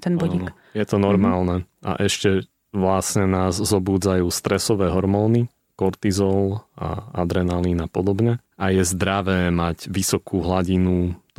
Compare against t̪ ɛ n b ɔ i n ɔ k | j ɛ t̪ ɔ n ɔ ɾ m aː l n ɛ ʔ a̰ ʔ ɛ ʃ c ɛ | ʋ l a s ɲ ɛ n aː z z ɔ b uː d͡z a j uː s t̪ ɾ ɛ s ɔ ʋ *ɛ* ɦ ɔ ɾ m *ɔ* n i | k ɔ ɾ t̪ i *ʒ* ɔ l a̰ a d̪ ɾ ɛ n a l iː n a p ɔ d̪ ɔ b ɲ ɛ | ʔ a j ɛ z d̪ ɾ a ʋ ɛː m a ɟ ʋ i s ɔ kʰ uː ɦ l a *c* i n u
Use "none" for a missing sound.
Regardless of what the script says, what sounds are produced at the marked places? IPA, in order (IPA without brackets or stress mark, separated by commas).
ɛː, ɔː, z, ɟ